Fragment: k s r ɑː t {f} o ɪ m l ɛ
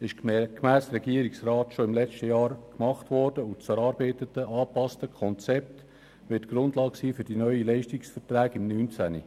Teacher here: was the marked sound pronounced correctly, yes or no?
no